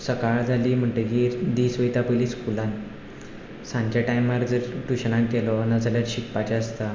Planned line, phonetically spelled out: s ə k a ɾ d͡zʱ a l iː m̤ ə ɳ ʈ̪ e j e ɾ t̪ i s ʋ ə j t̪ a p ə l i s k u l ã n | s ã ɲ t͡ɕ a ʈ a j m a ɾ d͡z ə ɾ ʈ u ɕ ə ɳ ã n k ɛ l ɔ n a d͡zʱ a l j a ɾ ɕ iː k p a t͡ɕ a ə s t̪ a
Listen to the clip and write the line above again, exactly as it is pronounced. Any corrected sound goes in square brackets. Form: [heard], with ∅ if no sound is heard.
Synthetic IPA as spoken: s ə k a [ɭ] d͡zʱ a l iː m̤ ə ɳ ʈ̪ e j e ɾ [d̪] i s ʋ ə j t̪ a p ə l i s k u l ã n | s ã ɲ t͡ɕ a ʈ a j m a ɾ d͡z ə ɾ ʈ u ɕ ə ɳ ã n k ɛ l ɔ n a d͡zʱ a l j a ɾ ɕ [i] k p a t͡ɕ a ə s t̪ a